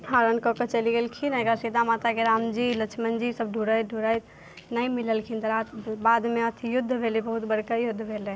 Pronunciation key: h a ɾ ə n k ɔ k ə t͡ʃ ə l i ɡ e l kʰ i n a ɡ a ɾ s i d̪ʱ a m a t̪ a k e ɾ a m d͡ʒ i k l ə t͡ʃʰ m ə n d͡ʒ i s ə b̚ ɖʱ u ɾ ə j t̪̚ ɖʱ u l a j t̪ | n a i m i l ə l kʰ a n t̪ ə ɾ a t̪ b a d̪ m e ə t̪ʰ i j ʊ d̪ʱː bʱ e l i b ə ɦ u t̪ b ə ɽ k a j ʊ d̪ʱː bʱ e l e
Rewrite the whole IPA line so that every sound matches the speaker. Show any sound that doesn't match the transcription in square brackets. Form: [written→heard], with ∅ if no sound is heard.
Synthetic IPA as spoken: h a ɾ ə n k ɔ k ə t͡ʃ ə l i ɡ e l kʰ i n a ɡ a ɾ s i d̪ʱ a m a t̪ a k e ɾ a m d͡ʒ i [k→∅] l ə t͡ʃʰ m ə n d͡ʒ i s ə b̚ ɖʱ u ɾ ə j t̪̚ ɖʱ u [l→ɾ] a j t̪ | n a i m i l ə l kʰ [a→i] n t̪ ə ɾ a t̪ b a d̪ m e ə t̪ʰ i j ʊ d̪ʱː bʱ e l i b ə ɦ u t̪ b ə ɽ k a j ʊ d̪ʱː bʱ e l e